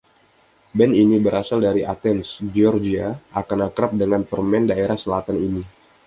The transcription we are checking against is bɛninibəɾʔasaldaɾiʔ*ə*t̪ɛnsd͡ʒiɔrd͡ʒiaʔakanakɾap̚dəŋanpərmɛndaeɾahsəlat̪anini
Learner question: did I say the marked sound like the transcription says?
no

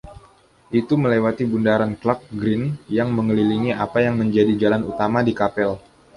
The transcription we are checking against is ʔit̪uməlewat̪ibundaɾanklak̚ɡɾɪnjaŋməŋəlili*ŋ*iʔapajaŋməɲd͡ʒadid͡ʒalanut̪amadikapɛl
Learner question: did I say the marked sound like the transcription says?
yes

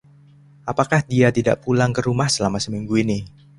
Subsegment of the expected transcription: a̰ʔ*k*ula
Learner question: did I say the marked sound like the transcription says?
no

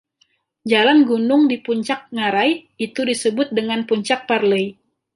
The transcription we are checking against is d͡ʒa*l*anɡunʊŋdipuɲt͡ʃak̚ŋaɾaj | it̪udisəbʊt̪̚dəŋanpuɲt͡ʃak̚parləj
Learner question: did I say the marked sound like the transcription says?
yes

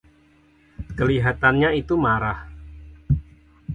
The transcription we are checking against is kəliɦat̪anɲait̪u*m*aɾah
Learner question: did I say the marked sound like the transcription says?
yes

